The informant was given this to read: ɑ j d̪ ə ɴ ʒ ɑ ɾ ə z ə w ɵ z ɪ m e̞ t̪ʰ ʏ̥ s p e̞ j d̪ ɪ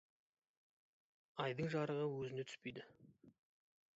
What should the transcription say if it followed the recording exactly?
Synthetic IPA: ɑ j d̪ ə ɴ ʒ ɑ ɾ ə ʁ ə w ɵ z ɪ n e̞ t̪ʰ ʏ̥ s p e̞ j d̪ ɪ